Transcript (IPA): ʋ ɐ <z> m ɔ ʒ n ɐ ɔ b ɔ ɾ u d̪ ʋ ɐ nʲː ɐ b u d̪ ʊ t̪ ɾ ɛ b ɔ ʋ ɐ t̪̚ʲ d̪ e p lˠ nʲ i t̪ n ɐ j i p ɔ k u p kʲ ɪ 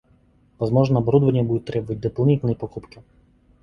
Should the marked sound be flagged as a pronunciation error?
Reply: no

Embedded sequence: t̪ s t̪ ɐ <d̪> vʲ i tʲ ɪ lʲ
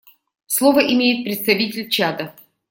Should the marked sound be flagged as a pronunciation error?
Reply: yes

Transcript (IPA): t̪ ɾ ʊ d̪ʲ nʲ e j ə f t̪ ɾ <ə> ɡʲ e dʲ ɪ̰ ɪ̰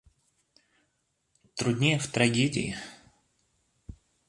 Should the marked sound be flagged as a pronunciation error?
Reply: yes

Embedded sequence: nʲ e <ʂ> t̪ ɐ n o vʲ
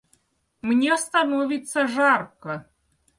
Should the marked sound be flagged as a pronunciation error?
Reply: yes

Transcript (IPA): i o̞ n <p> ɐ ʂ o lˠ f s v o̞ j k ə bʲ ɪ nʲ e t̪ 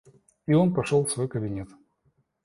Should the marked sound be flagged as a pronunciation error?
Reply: no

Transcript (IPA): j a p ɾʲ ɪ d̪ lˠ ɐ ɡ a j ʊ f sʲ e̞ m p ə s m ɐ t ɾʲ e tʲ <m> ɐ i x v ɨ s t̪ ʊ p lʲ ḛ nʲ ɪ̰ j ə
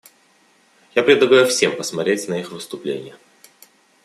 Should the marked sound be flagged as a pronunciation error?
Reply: yes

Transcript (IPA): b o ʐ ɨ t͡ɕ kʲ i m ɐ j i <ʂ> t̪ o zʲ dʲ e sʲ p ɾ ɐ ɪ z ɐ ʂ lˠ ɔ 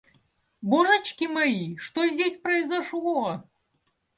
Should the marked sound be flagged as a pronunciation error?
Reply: no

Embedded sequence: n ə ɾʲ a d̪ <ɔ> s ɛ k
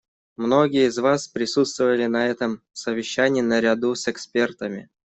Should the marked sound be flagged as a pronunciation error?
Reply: yes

